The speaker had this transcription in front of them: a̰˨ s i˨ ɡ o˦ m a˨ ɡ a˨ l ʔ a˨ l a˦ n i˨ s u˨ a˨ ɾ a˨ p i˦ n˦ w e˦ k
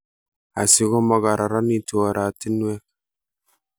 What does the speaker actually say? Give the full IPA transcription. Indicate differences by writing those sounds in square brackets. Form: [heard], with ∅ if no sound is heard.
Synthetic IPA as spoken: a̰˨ s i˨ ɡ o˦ m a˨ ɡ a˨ [ɾ] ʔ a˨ [ɾ] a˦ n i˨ [t] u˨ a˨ ɾ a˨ [t] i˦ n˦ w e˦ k